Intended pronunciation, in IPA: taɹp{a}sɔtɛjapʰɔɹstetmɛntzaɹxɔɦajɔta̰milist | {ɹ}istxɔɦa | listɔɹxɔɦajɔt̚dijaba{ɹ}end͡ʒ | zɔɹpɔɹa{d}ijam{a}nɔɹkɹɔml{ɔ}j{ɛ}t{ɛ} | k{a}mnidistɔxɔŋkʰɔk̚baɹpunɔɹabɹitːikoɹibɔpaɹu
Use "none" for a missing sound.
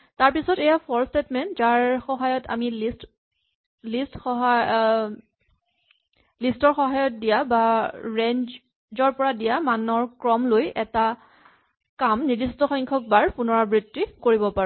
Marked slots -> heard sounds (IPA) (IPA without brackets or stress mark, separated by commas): i, l, ɹ, d, a, o, ɛ, a, a